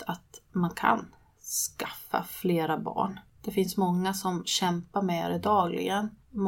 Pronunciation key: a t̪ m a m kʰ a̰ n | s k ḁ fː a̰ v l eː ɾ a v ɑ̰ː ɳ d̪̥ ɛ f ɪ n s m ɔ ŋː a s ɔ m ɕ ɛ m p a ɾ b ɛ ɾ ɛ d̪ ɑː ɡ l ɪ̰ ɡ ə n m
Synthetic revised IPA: a t̪ m a n kʰ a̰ n | s k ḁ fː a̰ f l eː ɾ a b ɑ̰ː ɳ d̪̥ ɛ f ɪ n s m ɔ ŋː a s ɔ m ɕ ɛ m p a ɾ m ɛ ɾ ɛ d̪ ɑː ɡ l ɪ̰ ɡ ə n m